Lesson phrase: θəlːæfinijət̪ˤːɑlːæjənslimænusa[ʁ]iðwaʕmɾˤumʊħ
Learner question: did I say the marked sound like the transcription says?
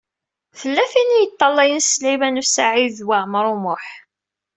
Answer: no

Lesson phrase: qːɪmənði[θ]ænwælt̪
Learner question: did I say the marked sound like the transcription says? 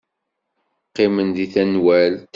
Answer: yes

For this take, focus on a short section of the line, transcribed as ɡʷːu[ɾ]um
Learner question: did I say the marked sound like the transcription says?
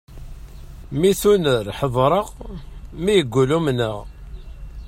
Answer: no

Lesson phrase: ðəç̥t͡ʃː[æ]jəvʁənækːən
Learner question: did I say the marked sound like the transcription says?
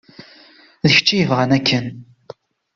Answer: no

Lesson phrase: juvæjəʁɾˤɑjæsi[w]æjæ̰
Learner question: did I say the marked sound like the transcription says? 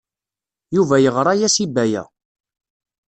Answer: no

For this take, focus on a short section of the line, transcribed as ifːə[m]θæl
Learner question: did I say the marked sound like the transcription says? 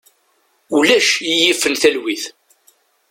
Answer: no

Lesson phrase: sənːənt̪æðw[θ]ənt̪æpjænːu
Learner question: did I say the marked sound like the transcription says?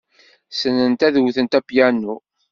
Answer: yes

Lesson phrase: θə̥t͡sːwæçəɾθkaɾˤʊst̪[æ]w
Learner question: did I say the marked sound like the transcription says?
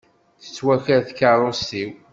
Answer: no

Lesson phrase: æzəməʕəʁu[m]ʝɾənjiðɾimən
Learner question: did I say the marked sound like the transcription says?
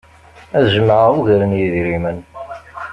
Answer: no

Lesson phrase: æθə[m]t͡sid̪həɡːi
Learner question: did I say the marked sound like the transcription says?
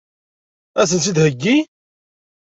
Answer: no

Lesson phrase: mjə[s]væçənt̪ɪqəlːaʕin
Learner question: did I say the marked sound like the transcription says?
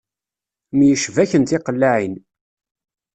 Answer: no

